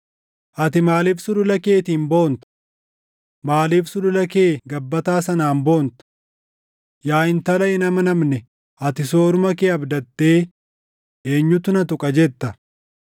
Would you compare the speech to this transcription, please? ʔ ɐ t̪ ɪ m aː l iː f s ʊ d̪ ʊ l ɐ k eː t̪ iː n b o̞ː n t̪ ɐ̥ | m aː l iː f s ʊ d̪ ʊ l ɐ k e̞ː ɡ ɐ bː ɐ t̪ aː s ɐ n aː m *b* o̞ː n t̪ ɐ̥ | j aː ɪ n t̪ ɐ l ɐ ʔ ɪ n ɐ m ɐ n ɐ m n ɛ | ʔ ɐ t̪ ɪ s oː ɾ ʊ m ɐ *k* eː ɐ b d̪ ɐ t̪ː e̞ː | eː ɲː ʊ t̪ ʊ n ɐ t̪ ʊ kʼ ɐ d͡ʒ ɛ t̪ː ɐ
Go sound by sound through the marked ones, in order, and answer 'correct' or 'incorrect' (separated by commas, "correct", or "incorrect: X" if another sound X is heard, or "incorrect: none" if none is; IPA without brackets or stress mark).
correct, correct